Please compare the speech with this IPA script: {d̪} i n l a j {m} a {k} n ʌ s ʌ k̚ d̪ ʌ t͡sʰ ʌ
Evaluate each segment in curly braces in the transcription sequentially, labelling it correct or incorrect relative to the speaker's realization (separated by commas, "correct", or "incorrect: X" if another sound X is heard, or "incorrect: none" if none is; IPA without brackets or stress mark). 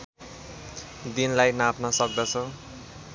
correct, incorrect: n, incorrect: p